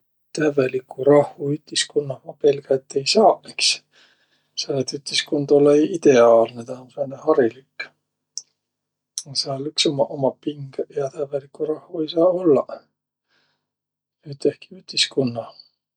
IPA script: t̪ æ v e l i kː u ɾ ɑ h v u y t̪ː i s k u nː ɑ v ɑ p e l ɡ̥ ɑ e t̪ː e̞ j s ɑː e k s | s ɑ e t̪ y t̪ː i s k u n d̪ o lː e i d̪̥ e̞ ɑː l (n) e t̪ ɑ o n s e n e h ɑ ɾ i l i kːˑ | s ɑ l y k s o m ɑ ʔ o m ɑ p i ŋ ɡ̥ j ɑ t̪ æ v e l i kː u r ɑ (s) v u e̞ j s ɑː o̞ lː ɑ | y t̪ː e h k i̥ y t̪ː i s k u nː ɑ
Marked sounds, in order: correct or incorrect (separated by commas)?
correct, incorrect